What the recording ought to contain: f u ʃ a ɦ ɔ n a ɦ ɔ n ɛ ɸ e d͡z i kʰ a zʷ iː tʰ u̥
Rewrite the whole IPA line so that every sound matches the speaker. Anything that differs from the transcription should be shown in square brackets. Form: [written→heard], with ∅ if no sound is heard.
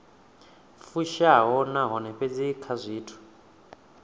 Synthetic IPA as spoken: f u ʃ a ɦ ɔ n a ɦ ɔ n ɛ ɸ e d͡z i kʰ a zʷ iː tʰ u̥